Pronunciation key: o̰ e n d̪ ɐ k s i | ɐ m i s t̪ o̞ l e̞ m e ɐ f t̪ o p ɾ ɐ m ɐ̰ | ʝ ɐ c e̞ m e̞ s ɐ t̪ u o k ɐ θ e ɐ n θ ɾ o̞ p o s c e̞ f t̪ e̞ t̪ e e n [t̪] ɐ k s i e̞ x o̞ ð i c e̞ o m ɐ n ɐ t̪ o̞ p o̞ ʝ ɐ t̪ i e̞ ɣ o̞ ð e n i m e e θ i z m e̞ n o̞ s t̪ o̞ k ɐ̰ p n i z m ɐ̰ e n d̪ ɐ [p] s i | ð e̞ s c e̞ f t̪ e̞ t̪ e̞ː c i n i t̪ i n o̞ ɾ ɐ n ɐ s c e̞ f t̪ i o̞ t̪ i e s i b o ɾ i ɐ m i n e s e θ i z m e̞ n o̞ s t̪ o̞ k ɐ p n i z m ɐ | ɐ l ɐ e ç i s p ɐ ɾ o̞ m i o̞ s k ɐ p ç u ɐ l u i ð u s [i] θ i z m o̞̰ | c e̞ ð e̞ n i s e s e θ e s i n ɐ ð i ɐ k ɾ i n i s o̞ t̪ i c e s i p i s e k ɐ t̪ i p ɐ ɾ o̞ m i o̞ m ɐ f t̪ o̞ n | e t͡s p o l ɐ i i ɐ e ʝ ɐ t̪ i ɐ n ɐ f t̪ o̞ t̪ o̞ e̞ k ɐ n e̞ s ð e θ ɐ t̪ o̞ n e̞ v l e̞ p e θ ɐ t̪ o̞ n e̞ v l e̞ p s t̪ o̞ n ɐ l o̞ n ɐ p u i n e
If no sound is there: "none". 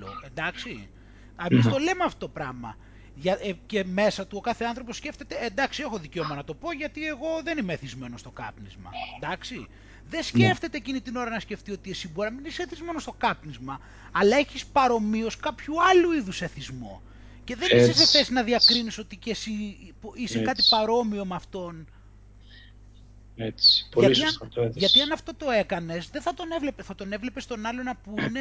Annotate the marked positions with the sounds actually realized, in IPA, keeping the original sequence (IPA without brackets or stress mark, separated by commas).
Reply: d̪, k, e